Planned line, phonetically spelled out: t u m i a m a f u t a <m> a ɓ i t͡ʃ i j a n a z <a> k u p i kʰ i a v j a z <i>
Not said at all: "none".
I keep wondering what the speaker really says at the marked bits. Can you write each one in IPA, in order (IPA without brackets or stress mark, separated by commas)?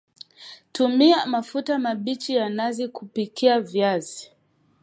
m, i, i